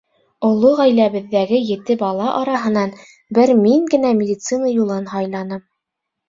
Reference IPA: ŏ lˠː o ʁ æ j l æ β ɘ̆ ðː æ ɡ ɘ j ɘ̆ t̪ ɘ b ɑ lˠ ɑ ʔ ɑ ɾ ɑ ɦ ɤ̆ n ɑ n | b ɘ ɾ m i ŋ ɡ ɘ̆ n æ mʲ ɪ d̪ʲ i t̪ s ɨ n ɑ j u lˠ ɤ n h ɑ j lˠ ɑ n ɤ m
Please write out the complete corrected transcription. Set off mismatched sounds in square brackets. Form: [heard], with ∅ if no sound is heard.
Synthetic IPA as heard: ŏ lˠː o ʁ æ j l æ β ɘ̆ ðː æ ɡ ɘ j ɘ̆ t̪ ɘ b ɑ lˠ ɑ ʔ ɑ ɾ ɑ ɦ ɤ̆ n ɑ n | b ɘ ɾ m i ŋ ɡ ɘ̆ n æ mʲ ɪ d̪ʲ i t̪ s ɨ n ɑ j u lˠ ɤ n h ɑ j lˠ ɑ n ɤ m